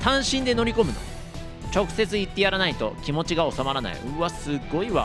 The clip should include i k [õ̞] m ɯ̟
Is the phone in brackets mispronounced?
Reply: yes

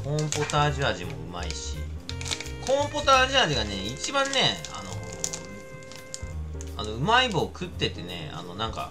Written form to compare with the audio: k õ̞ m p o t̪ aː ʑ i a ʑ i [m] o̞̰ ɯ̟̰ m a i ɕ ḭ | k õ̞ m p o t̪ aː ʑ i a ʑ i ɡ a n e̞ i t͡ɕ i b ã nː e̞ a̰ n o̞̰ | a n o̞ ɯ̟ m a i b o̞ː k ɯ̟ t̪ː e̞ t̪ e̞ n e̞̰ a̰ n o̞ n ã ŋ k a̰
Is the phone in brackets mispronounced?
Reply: no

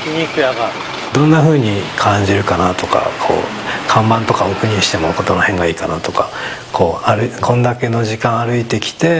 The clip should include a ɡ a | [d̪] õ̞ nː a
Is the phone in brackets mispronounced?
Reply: no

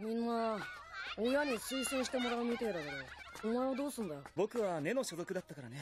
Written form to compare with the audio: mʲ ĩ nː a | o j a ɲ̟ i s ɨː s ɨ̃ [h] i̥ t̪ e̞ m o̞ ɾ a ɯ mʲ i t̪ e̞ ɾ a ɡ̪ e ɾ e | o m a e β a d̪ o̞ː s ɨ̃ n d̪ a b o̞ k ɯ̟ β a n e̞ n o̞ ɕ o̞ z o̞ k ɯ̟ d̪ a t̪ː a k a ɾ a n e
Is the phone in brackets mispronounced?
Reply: yes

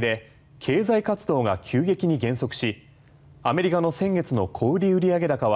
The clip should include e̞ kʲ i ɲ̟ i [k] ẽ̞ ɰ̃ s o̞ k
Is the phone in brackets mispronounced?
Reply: yes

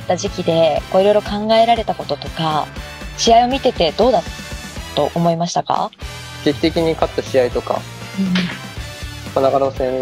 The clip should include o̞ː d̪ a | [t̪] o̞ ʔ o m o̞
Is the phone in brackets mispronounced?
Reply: no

